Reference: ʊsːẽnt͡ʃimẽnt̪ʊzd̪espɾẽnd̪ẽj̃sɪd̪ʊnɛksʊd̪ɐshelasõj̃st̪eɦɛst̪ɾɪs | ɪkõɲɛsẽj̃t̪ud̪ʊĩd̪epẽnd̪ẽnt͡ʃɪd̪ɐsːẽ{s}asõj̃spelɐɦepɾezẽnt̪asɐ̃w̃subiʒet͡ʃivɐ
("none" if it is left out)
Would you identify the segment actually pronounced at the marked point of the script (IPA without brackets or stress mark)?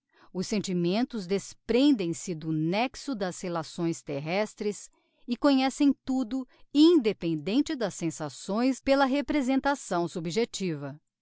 s